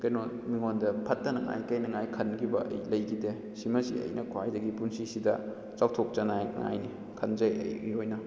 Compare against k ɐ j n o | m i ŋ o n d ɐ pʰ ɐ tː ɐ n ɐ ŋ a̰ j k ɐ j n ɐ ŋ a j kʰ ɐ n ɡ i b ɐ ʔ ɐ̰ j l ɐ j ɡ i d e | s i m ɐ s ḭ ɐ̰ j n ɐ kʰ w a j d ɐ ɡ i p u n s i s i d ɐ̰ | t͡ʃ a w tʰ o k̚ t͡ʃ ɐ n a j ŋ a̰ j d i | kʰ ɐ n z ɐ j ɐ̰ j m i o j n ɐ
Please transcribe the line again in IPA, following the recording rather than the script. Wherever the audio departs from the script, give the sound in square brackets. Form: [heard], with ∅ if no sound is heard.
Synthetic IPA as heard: k ɐ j n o | m i ŋ o n d ɐ pʰ ɐ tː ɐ n ɐ ŋ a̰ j k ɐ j n ɐ ŋ a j kʰ ɐ n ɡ i b ɐ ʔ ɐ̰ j l ɐ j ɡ i d e | s i m ɐ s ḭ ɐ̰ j n ɐ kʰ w a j d ɐ ɡ i p u n s i s i d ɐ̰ | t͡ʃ a w tʰ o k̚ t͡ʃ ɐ n a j ŋ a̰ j [n] i | kʰ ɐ n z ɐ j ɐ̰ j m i o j n ɐ